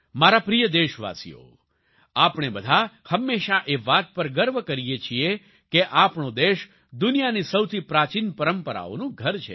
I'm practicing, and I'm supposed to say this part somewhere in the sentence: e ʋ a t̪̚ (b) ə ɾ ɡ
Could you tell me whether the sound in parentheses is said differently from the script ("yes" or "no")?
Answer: yes